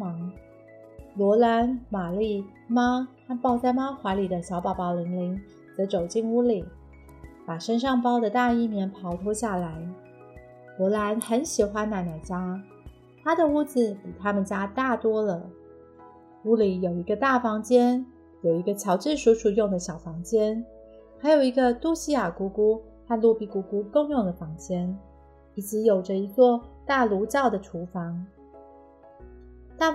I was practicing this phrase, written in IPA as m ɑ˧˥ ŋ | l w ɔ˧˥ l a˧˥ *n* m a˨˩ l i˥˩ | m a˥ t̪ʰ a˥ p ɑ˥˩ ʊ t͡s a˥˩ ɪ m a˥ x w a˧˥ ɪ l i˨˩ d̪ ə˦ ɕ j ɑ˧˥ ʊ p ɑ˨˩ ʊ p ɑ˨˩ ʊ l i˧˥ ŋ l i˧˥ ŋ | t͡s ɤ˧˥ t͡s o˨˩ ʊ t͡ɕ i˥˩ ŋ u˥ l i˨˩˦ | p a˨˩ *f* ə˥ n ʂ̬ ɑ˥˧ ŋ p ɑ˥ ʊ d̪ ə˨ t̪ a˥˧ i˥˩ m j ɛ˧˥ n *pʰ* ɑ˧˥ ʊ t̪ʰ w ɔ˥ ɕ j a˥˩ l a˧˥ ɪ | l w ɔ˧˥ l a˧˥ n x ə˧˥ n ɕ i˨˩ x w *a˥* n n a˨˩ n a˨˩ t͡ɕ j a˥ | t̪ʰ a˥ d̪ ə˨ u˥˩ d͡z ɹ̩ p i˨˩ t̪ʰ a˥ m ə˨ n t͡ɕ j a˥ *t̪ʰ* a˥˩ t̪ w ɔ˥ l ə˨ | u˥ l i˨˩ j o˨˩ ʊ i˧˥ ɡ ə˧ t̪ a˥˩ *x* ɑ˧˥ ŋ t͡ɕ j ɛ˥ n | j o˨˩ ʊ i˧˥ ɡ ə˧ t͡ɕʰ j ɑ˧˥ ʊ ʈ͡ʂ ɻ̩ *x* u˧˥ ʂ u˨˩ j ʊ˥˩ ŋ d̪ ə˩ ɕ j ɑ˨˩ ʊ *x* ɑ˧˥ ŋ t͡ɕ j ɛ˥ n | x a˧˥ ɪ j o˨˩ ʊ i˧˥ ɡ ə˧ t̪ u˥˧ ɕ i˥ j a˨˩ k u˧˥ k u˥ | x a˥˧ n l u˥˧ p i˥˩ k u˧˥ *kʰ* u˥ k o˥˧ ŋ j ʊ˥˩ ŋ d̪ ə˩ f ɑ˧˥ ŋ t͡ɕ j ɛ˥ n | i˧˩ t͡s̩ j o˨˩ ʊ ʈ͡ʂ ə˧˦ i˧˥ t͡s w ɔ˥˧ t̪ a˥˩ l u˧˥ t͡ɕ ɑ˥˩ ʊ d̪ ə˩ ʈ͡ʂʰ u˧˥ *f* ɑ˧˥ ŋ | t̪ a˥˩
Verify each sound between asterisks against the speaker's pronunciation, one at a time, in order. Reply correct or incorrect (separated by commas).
correct, incorrect, correct, correct, incorrect, incorrect, incorrect, incorrect, incorrect, correct